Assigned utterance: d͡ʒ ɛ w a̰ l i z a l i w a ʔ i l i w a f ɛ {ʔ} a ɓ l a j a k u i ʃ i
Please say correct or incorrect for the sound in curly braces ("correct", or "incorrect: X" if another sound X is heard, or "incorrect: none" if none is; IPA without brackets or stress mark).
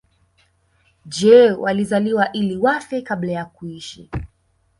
incorrect: k